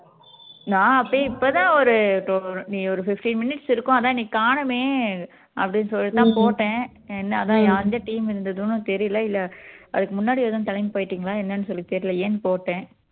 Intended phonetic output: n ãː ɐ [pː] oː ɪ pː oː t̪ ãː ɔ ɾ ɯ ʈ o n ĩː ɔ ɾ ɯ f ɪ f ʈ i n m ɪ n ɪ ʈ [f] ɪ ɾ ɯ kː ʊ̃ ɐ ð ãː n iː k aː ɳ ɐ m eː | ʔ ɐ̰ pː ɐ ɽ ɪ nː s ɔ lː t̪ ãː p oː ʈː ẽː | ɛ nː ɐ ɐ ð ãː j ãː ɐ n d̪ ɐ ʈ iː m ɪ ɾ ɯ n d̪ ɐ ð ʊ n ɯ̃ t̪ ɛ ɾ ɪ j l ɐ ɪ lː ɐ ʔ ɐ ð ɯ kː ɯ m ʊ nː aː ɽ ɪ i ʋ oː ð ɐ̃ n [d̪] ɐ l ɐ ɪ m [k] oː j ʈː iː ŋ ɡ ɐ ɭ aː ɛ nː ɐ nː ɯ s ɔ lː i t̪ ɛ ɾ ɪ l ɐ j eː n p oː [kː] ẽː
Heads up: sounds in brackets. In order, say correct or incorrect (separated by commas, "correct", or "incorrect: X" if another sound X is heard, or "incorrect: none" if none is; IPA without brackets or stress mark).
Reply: correct, incorrect: s, incorrect: t̪, incorrect: p, incorrect: ʈː